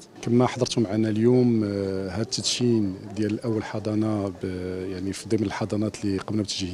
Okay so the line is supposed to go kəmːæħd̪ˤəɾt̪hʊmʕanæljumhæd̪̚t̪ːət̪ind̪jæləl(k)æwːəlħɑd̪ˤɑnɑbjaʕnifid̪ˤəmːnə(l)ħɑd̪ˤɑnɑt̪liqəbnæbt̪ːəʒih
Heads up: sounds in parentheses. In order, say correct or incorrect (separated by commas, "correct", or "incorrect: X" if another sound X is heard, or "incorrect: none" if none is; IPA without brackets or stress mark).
incorrect: ʔ, correct